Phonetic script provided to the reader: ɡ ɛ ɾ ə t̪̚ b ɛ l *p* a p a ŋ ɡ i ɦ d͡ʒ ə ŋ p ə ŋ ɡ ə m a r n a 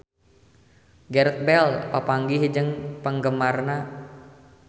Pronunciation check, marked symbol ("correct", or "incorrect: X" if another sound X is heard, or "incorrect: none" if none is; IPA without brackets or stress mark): correct